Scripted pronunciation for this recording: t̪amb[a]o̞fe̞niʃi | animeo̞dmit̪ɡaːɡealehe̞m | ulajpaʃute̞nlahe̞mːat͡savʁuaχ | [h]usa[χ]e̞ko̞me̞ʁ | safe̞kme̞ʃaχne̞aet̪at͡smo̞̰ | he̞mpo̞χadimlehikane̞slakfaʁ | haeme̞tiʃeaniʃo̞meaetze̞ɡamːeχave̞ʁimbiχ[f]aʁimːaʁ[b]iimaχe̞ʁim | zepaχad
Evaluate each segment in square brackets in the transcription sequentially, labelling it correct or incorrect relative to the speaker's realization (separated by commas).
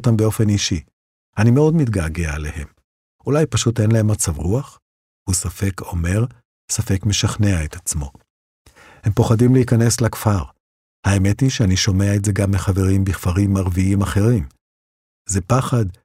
incorrect, correct, incorrect, correct, incorrect